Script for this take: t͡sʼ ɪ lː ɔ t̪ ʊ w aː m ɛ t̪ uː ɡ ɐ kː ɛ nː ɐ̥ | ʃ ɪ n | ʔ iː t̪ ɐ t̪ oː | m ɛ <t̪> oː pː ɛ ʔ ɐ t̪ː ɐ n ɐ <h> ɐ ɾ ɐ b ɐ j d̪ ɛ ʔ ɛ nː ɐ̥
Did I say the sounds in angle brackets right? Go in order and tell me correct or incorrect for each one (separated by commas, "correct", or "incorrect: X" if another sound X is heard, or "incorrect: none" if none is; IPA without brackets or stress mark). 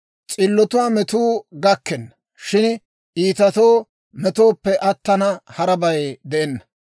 correct, correct